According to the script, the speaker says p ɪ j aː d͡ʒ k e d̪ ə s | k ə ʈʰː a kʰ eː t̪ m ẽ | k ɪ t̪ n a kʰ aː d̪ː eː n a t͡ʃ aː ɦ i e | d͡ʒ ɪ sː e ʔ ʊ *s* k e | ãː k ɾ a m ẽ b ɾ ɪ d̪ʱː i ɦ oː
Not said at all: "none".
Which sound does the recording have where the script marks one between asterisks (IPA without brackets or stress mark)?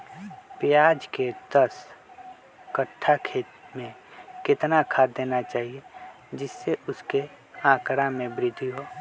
s